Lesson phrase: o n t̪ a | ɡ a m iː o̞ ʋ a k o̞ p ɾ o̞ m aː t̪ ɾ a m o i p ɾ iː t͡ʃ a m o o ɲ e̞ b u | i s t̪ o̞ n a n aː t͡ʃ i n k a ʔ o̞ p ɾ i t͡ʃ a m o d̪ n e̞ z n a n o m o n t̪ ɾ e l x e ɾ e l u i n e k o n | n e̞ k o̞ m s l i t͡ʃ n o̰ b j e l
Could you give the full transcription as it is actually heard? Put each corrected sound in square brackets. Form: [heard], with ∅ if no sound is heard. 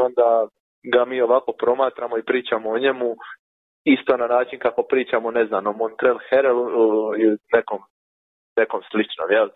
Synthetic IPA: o n [d̪] a | ɡ a m iː o̞ ʋ a k o̞ p ɾ o̞ m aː t̪ ɾ a m o i p ɾ iː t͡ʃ a m o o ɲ e̞ [m] u | i s t̪ o̞ n a n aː t͡ʃ i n k a [k] o̞ p ɾ [iː] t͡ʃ a m o [∅] n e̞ z n a n o m o n t̪ ɾ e l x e ɾ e l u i n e k o [m] | n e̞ k o̞ m s l i t͡ʃ n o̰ [m] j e l